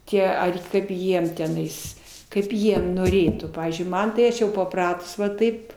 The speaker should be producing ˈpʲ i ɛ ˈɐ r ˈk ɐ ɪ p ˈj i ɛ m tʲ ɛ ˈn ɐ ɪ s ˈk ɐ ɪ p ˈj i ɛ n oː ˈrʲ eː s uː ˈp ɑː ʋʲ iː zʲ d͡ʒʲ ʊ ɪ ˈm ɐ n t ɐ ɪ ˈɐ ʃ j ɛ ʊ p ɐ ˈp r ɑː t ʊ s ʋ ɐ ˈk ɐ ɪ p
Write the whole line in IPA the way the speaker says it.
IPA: ˈtʲ i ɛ ˈɐ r ˈk ɐ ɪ p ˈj i ɛ m tʲ ɛ ˈn ɐ ɪ s ˈk ɐ ɪ p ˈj i ɛ n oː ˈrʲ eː t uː ˈp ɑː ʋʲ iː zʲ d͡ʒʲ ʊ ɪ ˈm ɐ n t ɐ ɪ ˈɐ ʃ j ɛ ʊ p ɐ ˈp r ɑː t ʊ s ʋ ɐ ˈt ɐ ɪ p

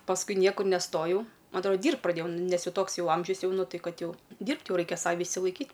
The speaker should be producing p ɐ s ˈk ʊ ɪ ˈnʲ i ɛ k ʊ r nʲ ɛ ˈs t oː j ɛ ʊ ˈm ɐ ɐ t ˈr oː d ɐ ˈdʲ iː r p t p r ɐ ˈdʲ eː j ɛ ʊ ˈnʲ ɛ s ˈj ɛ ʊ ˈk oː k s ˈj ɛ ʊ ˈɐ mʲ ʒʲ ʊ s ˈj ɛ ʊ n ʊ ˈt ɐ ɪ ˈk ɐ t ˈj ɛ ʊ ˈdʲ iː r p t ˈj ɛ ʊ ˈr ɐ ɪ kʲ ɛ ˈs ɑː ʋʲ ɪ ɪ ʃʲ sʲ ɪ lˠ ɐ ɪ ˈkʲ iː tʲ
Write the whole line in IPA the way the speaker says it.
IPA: p ɐ s ˈk ʊ ɪ ˈnʲ i ɛ k ʊ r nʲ ɛ ˈs t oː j ɛ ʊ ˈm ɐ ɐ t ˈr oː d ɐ ˈdʲ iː r p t p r ɐ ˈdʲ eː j ɛ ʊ ˈnʲ ɛ s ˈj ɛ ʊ ˈt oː k s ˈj ɛ ʊ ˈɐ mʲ ʒʲ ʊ s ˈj ɛ ʊ n ʊ ˈt ɐ ɪ ˈk ɐ t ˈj ɛ ʊ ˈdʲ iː r p t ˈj ɛ ʊ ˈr ɐ ɪ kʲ ɛ ˈs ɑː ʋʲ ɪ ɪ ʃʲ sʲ ɪ lˠ ɐ ɪ ˈkʲ iː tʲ

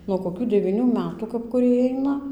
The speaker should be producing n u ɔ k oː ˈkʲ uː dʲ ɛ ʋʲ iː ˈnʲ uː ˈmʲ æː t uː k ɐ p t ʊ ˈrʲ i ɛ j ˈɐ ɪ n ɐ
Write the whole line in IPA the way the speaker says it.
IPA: n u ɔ k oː ˈkʲ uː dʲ ɛ ʋʲ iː ˈnʲ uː ˈmʲ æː t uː k ɐ p k ʊ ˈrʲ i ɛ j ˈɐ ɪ n ɐ

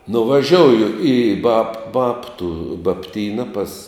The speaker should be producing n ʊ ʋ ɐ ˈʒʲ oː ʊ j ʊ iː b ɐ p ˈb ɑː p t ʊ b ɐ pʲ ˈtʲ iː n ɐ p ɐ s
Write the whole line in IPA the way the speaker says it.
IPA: n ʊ ʋ ɐ ˈʒʲ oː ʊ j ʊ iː b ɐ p ˈb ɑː p t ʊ b ɐ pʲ ˈtʲ iː n ɐ p ɐ s

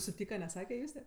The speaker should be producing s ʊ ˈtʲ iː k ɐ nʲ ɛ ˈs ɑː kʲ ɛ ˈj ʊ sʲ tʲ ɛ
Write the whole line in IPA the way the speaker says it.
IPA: s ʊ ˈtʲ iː k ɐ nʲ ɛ ˈs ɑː kʲ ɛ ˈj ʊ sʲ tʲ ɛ

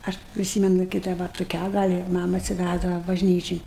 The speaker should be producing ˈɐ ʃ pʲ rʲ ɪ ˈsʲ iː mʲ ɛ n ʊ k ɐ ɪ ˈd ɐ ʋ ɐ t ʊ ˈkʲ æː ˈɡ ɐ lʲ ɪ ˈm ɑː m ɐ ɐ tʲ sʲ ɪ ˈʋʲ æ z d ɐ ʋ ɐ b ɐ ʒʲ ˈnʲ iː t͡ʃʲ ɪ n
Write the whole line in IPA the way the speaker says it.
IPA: ˈɐ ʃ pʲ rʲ ɪ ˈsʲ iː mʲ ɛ n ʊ k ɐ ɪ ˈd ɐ ʋ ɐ t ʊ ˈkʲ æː ˈɡ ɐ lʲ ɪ ˈm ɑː m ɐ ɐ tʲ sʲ ɪ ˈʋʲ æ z d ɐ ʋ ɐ b ɐ ʒʲ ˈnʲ iː t͡ʃʲ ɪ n

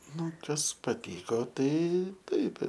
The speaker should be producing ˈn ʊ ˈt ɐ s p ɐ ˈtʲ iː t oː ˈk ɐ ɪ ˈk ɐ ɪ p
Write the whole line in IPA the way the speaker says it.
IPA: ˈn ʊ ˈk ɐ s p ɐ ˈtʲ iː k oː ˈt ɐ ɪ ˈt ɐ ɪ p

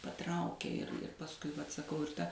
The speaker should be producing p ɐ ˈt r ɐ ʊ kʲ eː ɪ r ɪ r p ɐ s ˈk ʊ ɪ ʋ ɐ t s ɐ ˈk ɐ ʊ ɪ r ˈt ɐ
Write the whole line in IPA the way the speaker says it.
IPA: p ɐ ˈt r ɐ ʊ kʲ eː ɪ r ɪ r p ɐ s ˈk ʊ ɪ ʋ ɐ t s ɐ ˈk ɐ ʊ ɪ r ˈt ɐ

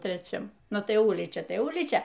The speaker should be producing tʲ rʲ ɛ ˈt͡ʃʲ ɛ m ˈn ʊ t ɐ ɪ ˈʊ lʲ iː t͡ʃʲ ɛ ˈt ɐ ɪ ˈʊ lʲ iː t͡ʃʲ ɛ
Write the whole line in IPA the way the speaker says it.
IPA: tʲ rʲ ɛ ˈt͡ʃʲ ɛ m ˈn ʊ t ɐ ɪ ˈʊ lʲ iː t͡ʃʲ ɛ ˈt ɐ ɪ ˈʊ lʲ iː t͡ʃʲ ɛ

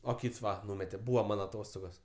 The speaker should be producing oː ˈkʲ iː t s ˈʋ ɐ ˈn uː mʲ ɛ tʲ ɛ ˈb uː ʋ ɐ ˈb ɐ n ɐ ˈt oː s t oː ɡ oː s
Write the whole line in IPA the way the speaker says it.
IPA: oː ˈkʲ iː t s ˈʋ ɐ ˈn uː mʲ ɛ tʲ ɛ ˈb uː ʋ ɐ ˈm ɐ n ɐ ˈt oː s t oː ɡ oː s

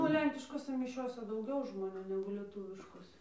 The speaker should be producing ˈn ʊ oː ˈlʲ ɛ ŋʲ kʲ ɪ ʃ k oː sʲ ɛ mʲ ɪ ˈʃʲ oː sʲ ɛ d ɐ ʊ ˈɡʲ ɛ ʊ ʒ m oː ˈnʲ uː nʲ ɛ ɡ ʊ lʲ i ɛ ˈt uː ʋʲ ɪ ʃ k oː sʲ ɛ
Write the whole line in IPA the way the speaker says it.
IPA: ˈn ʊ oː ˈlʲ ɛ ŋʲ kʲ ɪ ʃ k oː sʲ ɛ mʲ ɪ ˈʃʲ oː sʲ ɛ d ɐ ʊ ˈɡʲ ɛ ʊ ʒ m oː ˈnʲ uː nʲ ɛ ɡ ʊ lʲ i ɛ ˈt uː ʋʲ ɪ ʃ k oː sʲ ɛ

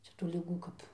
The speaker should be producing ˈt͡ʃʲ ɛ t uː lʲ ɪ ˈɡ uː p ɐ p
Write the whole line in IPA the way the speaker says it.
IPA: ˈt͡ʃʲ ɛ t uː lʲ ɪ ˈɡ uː k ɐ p

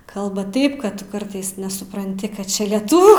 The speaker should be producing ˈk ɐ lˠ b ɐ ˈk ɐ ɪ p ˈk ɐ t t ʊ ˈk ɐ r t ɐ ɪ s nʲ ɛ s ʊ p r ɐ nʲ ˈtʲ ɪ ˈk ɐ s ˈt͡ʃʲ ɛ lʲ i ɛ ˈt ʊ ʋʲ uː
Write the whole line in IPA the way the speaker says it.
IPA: ˈk ɐ lˠ b ɐ ˈt ɐ ɪ p ˈk ɐ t t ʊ ˈk ɐ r t ɐ ɪ s nʲ ɛ s ʊ p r ɐ nʲ ˈtʲ ɪ ˈk ɐ t ˈt͡ʃʲ ɛ lʲ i ɛ ˈt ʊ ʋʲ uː

